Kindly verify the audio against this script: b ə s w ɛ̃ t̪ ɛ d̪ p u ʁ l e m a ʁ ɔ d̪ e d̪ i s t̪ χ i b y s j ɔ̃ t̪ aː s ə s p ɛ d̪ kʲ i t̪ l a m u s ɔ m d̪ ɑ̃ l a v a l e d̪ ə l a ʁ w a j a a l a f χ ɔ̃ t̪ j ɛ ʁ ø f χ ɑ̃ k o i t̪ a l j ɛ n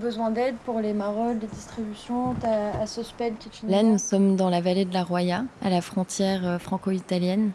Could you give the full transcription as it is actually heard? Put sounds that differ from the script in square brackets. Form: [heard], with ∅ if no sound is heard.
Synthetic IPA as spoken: b ə [z] w ɛ̃ [d̪] ɛ d̪ p u ʁ l e m a ʁ ɔ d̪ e d̪ i s t̪ χ i b y s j ɔ̃ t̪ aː s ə s p ɛ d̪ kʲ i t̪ l a [n] u s ɔ m d̪ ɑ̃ l a v a l e d̪ ə l a ʁ w a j a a l a f χ ɔ̃ t̪ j ɛ ʁ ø f χ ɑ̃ k o i t̪ a l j ɛ n